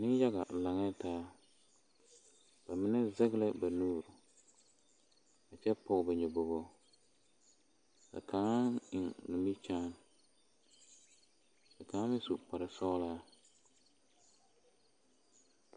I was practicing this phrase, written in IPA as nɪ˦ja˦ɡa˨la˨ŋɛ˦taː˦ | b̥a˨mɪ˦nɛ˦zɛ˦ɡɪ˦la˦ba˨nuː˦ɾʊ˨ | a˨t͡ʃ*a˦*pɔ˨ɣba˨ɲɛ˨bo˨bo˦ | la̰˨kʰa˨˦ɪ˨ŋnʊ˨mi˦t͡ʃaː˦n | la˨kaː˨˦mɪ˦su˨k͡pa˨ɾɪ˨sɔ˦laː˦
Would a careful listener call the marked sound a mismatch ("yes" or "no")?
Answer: yes